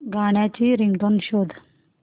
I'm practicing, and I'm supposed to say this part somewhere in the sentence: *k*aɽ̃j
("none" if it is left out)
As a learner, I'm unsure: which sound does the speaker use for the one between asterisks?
ɡ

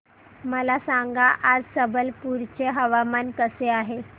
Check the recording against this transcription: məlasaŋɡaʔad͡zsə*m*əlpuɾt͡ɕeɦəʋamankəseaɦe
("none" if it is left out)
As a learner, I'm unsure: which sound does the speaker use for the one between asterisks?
b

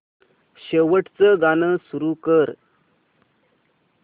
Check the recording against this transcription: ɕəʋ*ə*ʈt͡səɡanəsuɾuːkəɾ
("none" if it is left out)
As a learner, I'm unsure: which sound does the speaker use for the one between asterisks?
ə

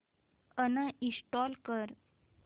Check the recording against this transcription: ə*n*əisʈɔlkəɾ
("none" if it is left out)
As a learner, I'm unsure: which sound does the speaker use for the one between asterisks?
n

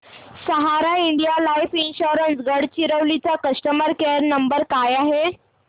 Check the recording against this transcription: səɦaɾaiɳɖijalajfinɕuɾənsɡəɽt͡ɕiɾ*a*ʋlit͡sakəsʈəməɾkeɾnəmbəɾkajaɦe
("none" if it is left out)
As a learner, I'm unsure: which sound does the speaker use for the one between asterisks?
ə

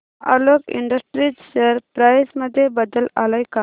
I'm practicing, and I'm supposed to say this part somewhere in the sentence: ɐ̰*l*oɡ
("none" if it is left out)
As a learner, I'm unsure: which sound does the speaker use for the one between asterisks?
l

